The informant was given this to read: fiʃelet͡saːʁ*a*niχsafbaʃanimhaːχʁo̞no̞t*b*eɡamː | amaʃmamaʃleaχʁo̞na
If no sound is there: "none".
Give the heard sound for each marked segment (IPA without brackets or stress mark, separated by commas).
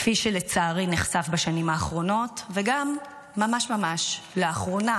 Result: i, v